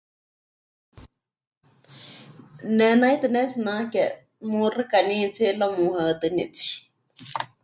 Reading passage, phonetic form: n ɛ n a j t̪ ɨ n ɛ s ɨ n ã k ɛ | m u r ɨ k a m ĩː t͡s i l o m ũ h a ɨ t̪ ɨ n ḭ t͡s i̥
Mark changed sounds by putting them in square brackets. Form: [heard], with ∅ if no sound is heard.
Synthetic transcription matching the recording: n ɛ n a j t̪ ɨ n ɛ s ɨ n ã k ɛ | m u r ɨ k a [n] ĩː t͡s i l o m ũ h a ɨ t̪ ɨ n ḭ t͡s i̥

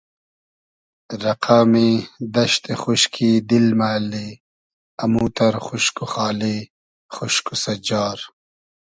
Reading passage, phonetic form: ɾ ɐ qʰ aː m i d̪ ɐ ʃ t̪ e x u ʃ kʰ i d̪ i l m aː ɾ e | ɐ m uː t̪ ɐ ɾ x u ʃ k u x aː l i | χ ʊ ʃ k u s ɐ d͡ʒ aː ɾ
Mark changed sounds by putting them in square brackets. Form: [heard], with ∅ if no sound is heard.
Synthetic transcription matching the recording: ɾ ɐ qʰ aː m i d̪ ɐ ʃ t̪ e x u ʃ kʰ i d̪ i l m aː [l] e | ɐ m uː t̪ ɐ ɾ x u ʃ k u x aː l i | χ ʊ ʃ k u s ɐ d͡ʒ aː ɾ

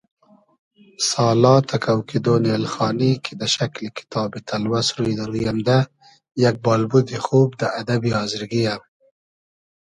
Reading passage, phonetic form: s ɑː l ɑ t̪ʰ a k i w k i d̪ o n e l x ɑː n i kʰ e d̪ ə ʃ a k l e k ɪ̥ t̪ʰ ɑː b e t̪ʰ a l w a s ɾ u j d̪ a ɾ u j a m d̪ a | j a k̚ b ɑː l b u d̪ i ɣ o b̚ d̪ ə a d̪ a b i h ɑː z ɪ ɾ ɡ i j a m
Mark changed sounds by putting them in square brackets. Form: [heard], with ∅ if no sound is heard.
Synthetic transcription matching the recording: s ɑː l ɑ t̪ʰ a k [a] w k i d̪ o n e l x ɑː n i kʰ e d̪ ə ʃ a k l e k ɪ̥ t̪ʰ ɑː b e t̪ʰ a l w a s ɾ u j d̪ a ɾ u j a m d̪ a | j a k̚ b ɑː l b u d̪ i [x] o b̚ d̪ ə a d̪ a b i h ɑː z ɪ ɾ ɡ i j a m

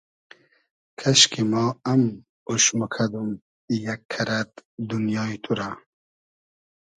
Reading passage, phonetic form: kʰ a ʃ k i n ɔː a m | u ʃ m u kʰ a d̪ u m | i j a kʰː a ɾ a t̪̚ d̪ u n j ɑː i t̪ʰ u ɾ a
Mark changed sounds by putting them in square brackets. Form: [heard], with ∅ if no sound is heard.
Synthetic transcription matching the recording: kʰ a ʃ k i [m] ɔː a m | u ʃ m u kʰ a d̪ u m | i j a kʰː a ɾ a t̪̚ d̪ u n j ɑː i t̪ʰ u ɾ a

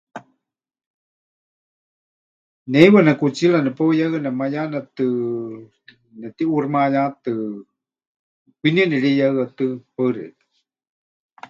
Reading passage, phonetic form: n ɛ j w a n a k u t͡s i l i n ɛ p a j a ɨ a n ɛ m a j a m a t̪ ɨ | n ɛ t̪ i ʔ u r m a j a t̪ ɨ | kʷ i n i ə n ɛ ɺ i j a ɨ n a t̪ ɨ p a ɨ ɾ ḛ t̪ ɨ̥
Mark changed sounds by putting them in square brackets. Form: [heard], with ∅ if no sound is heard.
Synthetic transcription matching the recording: n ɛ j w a n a k u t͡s i l [a] n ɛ p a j a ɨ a n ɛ m a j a [n] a t̪ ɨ | n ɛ t̪ i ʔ u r m a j a t̪ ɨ | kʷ i n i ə n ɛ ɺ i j a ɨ [∅] a t̪ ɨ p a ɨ ɾ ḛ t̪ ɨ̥

